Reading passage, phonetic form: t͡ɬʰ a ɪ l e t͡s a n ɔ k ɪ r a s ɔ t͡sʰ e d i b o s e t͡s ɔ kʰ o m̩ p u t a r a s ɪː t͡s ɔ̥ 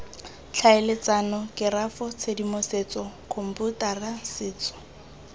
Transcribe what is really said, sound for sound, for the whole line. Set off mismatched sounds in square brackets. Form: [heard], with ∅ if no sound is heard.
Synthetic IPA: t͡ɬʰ a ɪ l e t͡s a n ɔ k ɪ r a [f] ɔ t͡sʰ e d i [m] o s e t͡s ɔ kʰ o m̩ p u t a r a s ɪː t͡s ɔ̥